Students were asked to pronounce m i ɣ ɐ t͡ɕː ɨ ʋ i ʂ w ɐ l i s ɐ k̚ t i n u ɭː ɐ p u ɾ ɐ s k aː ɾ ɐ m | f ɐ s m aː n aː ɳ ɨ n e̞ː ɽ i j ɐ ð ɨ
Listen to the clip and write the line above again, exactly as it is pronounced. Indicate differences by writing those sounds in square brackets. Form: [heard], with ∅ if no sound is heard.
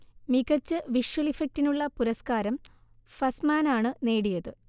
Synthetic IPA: m i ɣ ɐ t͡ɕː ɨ ʋ i ʂ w ɐ l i [f] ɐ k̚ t i n u ɭː ɐ p u ɾ ɐ s k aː ɾ ɐ m | f ɐ s m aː n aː ɳ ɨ n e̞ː ɽ i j ɐ ð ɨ